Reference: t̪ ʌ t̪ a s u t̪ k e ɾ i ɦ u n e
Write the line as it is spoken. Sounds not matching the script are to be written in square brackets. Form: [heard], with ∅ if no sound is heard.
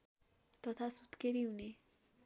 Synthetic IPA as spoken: t̪ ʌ [t̪ʰ] a s u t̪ k e ɾ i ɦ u n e